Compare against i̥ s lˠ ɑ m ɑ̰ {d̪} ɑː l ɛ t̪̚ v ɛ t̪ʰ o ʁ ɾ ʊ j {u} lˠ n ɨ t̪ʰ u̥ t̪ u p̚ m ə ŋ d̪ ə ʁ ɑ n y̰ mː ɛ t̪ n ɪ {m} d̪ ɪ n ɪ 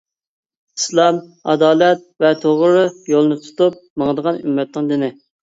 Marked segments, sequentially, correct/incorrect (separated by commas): correct, incorrect, incorrect